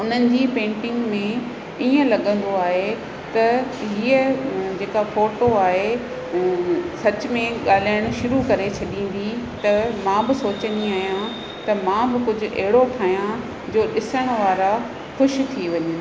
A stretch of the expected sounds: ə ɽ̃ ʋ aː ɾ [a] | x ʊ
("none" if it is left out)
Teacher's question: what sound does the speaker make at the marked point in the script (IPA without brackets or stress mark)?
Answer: a